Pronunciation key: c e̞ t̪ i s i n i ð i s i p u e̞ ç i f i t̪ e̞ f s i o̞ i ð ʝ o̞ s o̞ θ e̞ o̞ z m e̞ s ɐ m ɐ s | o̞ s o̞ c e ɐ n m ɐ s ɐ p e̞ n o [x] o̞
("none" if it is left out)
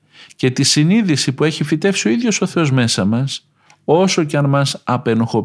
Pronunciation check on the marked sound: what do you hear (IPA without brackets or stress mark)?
x